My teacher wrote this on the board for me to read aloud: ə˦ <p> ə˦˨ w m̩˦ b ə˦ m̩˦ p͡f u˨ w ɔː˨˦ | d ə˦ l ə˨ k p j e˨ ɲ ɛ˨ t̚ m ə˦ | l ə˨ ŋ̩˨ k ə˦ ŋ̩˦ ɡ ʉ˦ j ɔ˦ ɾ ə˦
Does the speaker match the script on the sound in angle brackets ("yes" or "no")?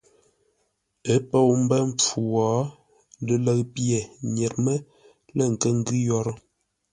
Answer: yes